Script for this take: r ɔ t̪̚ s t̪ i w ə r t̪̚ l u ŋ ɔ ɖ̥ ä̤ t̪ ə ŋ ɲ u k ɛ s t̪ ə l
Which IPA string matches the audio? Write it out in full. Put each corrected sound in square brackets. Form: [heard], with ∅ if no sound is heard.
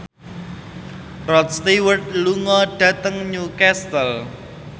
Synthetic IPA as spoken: r ɔ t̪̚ s t̪ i w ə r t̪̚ l u ŋ ɔ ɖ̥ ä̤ t̪ ə ŋ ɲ u k ɛ s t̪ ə l